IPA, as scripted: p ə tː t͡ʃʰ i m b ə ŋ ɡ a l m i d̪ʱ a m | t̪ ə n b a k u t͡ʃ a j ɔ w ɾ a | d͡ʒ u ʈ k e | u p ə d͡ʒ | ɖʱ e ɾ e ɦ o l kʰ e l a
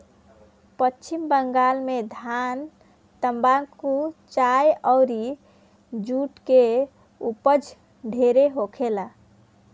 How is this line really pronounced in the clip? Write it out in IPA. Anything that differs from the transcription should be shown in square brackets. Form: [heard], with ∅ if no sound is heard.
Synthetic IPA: p ə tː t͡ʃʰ i m b ə ŋ ɡ a l m [e] d̪ʱ a [n] | t̪ ə [m] b a k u t͡ʃ a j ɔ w ɾ [i] | d͡ʒ u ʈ k e | u p ə d͡ʒ | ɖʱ e ɾ e ɦ o [∅] kʰ e l a